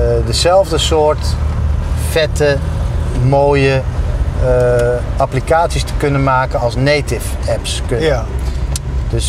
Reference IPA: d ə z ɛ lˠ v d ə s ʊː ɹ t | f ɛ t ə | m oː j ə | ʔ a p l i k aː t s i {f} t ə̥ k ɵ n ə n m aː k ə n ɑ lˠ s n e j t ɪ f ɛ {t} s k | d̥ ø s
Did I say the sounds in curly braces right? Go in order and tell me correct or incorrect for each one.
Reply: incorrect: s, incorrect: p

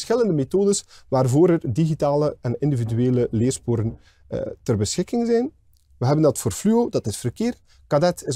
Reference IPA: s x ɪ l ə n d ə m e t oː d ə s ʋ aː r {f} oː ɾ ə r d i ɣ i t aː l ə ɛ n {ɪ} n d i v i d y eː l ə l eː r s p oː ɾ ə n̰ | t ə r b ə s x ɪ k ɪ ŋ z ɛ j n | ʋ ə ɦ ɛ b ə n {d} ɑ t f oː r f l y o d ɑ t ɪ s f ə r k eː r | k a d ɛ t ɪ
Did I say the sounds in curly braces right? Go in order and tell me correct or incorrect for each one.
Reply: incorrect: v, correct, correct

